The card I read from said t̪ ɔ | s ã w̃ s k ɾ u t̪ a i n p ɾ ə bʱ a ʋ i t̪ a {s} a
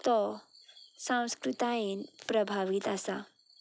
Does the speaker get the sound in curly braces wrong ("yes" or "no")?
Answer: no